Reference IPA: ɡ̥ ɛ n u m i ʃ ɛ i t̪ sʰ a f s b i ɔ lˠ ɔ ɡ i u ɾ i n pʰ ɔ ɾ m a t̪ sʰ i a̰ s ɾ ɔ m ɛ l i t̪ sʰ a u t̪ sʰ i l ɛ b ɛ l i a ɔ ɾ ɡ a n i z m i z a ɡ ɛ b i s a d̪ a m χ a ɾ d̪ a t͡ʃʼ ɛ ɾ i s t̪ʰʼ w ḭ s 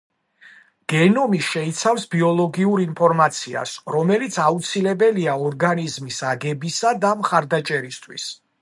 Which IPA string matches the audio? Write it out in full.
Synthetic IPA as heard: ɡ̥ ɛ n ɔ m i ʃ ɛ i t̪ sʰ a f s b i ɔ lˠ ɔ ɡ i u ɾ i n pʰ ɔ ɾ m a t̪ sʰ i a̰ s ɾ ɔ m ɛ l i t̪ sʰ a u t̪ sʰ i l ɛ b ɛ l i a ɔ ɾ ɡ a n i z m i s a ɡ ɛ b i s a d̪ a m χ a ɾ d̪ a t͡ʃʼ ɛ ɾ i s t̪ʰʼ w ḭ s

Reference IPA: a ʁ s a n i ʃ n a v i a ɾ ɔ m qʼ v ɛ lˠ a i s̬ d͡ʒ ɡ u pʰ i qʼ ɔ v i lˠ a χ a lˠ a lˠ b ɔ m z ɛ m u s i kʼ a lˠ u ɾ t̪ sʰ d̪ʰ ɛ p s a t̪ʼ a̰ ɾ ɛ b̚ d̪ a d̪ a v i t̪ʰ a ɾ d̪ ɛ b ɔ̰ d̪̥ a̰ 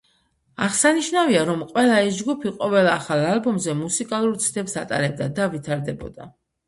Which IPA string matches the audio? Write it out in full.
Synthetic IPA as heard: a ʁ s a n i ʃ n a v i a ɾ ɔ m qʼ w ɛ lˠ a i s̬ d͡ʒ ɡ u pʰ i qʼ ɔ v ɛ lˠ a χ a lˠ a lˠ b ɔ m z ɛ m u s i kʼ a lˠ u ɾ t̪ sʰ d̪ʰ ɛ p s a t̪ʼ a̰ ɾ ɛ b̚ d̪ a d̪ a v i t̪ʰ a ɾ d̪ ɛ b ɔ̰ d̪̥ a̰

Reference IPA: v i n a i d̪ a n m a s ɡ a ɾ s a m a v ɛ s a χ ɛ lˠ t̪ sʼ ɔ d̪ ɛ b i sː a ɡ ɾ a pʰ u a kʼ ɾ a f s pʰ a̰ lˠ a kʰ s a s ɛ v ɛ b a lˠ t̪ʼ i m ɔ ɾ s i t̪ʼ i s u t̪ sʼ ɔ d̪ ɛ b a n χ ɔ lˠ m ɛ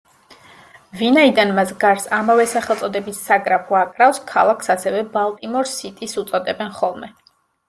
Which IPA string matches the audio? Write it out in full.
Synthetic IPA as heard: v i n a i d̪ a n m a s ɡ a ɾ s a m a v ɛ s a χ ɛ lˠ t̪ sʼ ɔ d̪ ɛ b i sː a ɡ ɾ a pʰ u a kʼ ɾ a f s kʰ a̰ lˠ a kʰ s a s ɛ v ɛ b a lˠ t̪ʼ i m ɔ ɾ s i t̪ʼ i s u t̪ sʼ ɔ d̪ ɛ b ɛ n χ ɔ lˠ m ɛ

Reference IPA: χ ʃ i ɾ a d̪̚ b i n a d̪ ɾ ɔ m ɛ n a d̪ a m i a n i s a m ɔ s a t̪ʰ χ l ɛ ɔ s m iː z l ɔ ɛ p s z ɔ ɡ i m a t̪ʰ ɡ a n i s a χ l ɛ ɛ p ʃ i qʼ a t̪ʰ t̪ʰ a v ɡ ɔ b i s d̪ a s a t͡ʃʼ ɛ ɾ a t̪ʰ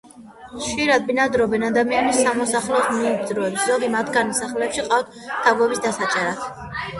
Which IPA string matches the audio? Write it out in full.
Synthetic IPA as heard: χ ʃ i ɾ a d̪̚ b i n a d̪ ɾ ɔ b ɛ n a d̪ a m i a n i s a m ɔ s a χ l ɛ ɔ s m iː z ɾ ɔ ɛ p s z ɔ ɡ i m a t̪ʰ ɡ a n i s a χ l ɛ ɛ p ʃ i qʼ a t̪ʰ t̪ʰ a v ɡ ɔ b i s d̪ a s a t͡ʃʼ ɛ ɾ a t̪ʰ

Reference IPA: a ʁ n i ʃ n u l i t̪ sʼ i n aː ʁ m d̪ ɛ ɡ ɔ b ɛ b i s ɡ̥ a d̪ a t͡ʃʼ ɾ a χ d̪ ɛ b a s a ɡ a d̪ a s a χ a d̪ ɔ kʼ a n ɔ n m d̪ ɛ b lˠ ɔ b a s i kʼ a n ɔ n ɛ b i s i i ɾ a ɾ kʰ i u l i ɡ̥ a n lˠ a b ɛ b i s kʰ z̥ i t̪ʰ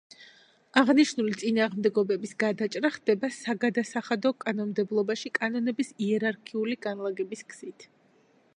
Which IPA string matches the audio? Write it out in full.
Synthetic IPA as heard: a ʁ n i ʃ n u l i t̪ sʼ i n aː ʁ m d̪ ɛ ɡ ɔ b ɛ b i s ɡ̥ a d̪ a t͡ʃʼ ɾ a χ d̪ ɛ b a s a ɡ a d̪ a s a χ a d̪ ɔ kʼ a n ɔ n m d̪ ɛ b lˠ ɔ b a ʃ i kʼ a n ɔ n ɛ b i s i ɛ ɾ a ɾ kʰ i u l i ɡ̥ a n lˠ a ɡ ɛ b i s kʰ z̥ i t̪ʰ

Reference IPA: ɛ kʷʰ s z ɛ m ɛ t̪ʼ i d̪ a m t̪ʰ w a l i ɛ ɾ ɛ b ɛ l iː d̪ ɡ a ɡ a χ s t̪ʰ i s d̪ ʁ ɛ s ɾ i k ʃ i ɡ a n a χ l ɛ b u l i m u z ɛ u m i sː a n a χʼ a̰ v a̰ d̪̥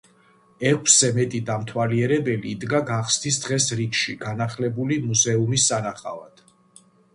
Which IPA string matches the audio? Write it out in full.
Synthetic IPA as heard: ɛ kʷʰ s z ɛ m ɛ t̪ʼ i d̪ a m t̪ʰ w a l i ɛ ɾ ɛ b ɛ l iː d̪ ɡ a ɡ a χ s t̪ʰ i s d̪ ʁ ɛ s ɾ i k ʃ i ɡ a n a χ l ɛ b u l i m u z ɛ u m i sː a n a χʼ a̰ v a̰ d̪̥

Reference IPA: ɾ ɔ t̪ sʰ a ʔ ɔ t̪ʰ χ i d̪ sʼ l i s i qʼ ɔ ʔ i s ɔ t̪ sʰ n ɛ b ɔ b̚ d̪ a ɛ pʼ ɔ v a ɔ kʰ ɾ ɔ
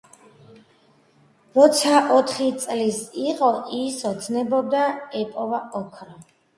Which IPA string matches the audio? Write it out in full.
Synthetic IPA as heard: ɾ ɔ t̪ sʰ a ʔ ɔ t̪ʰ χ i t̪ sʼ l i s i qʼ ɔ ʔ i s ɔ t̪ sʰ n ɛ b ɔ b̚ d̪ a ɛ pʼ ɔ v a ɔ kʰ ɾ ɔ

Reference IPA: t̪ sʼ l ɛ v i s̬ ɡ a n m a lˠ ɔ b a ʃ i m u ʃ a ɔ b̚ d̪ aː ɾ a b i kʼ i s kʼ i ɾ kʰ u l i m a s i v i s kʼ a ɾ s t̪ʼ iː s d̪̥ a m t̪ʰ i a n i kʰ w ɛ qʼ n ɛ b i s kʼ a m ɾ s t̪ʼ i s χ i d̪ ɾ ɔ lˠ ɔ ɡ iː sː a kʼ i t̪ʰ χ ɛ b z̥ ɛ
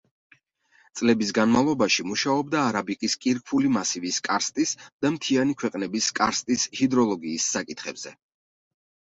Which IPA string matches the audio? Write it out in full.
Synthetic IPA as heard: t̪ sʼ l ɛ b i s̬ ɡ a n m a lˠ ɔ b a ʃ i m u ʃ a ɔ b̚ d̪ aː ɾ a b i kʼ i s kʼ i ɾ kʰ u l i m a s i v i s kʼ a ɾ s t̪ʼ i s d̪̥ a m t̪ʰ i a n i kʰ w ɛ qʼ n ɛ b i s kʼ a ɾ s t̪ʼ i s h i d̪ ɾ ɔ lˠ ɔ ɡ iː sː a kʼ i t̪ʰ χ ɛ b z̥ ɛ

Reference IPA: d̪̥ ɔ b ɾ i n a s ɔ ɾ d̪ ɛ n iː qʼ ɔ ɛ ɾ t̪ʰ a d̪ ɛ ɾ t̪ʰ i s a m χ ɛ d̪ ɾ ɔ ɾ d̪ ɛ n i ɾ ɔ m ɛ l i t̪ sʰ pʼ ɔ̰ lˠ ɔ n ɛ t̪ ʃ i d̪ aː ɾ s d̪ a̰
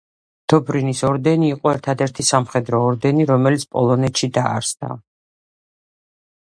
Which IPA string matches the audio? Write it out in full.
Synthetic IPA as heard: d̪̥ ɔ b ɾ i n i s ɔ ɾ d̪ ɛ n iː qʼ ɔ ɛ ɾ t̪ʰ a d̪ ɛ ɾ t̪ʰ i s a m χ ɛ d̪ ɾ ɔː ɾ d̪ ɛ n i ɾ ɔ m ɛ l i t̪ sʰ pʼ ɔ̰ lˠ ɔ n ɛ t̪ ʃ i d̪ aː ɾ s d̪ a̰

